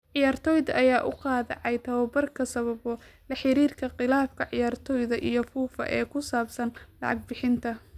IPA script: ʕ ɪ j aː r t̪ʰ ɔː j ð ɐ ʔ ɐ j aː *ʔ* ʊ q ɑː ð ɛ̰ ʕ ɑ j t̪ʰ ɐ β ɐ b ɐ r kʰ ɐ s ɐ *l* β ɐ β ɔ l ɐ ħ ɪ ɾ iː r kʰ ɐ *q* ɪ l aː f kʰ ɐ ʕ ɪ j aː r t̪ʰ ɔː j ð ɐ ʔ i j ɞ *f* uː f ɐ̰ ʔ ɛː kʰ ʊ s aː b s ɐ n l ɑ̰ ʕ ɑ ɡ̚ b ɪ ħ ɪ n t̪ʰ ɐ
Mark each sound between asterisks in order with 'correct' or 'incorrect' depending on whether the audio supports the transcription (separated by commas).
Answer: correct, incorrect, correct, correct